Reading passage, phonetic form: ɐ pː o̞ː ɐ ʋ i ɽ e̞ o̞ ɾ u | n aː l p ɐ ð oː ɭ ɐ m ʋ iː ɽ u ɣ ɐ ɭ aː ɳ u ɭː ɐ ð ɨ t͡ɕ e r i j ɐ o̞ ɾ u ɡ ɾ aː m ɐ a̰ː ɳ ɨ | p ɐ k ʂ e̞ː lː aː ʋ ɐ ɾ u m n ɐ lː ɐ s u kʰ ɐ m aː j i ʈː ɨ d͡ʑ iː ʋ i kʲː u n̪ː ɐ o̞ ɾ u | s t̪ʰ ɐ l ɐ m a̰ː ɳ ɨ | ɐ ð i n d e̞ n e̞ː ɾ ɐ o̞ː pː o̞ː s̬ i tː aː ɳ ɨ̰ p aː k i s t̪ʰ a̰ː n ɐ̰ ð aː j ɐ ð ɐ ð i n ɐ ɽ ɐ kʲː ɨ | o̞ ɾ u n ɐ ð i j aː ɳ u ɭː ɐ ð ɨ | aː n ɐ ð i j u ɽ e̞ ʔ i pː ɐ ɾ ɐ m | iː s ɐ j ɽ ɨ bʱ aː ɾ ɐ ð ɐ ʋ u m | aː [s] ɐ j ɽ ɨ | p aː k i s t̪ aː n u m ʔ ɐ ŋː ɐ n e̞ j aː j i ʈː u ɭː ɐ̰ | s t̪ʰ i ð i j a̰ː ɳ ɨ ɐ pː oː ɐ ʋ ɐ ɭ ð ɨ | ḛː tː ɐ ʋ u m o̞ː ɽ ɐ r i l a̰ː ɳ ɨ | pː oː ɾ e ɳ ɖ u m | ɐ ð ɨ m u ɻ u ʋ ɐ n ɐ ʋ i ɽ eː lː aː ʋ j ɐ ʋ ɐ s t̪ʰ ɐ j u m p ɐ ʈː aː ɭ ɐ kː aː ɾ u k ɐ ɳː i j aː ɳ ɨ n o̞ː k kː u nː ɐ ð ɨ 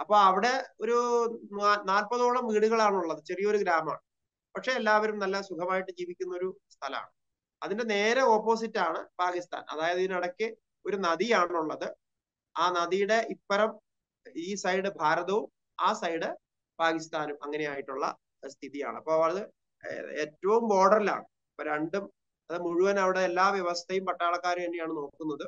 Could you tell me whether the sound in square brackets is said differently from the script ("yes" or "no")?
no